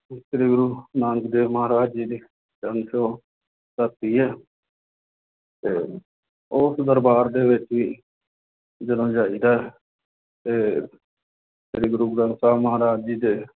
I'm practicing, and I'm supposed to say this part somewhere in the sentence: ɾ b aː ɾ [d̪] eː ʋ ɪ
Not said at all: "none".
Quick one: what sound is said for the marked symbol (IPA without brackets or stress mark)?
d̪